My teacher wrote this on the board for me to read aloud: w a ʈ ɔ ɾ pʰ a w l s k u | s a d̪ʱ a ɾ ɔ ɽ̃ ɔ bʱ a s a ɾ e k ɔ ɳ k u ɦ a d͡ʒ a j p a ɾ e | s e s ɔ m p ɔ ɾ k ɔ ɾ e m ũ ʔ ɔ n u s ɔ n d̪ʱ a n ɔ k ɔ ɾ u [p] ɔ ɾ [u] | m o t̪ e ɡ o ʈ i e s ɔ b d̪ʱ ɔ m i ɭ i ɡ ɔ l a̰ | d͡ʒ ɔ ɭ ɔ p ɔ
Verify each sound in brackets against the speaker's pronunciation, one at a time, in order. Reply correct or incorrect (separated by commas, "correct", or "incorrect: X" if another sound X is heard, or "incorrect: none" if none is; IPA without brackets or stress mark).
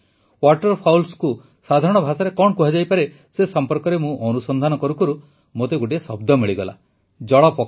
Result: incorrect: k, correct